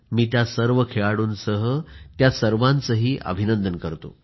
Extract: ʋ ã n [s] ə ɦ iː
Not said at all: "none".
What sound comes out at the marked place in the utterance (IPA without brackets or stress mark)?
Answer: t͡s